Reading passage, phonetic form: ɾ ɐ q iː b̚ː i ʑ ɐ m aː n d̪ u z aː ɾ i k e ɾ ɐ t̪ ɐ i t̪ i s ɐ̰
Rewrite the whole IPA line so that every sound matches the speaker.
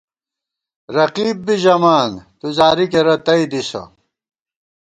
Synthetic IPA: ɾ ɐ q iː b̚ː i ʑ ɐ m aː n t̪ u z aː ɾ i k e ɾ ɐ t̪ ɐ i d̪ i s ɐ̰